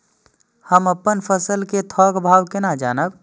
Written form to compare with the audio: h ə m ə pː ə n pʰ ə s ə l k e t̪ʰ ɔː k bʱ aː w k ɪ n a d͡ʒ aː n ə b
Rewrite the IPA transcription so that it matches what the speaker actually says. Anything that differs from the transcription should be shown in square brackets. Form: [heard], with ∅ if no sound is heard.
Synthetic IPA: h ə m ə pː ə n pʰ ə s ə l k e t̪ʰ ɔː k bʱ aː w k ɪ n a d͡ʒ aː n ə b